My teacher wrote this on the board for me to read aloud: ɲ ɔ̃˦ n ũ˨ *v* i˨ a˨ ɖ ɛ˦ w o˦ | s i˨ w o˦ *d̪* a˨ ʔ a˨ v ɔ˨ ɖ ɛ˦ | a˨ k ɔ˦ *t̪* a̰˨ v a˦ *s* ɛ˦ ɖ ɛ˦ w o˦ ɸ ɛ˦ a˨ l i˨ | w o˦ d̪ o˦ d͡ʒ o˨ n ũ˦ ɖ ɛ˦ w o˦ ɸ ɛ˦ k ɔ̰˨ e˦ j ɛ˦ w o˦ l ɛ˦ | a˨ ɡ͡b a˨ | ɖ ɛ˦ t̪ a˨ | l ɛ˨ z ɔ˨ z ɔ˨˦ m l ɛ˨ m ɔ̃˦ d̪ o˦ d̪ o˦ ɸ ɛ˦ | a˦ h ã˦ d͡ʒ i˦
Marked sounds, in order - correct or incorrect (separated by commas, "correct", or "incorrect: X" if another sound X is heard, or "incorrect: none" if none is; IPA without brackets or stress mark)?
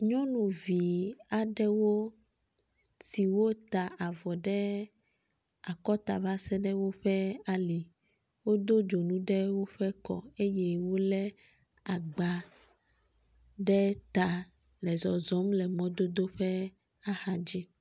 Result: correct, incorrect: t̪, correct, correct